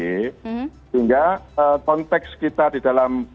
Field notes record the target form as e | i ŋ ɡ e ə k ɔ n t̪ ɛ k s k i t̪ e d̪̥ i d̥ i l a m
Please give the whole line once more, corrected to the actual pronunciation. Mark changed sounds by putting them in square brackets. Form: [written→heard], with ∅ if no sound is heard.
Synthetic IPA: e | i ŋ ɡ [e→a] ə k ɔ n t̪ ɛ k s k i t̪ [e→a] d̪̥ i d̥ [i→a] l a m